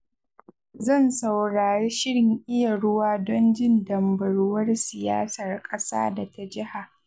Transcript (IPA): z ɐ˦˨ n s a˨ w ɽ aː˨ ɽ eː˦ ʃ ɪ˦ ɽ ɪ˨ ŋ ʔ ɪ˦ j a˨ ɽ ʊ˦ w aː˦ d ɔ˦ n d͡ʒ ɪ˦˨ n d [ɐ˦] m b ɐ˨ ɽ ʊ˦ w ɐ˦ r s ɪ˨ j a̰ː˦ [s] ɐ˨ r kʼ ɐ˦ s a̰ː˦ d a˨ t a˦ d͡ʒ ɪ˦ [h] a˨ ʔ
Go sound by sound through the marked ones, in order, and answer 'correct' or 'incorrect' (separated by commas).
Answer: incorrect, correct, correct